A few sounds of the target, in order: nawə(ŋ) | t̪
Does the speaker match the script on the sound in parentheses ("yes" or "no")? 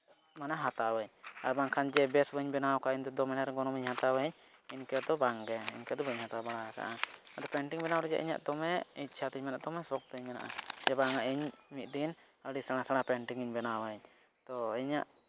no